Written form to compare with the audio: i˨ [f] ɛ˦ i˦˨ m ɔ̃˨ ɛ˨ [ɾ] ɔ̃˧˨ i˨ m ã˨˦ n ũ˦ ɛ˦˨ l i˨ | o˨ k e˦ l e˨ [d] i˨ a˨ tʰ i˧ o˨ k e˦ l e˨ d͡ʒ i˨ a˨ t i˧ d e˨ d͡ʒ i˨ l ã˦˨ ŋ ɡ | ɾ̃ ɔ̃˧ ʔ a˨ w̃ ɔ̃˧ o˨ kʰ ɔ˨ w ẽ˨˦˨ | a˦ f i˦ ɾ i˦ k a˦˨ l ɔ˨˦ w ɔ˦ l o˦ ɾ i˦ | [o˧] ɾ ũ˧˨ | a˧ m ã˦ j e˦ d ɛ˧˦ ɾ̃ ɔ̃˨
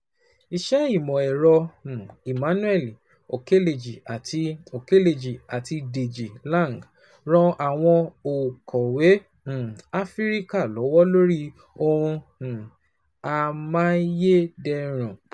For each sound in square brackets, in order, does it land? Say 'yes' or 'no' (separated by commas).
no, yes, no, yes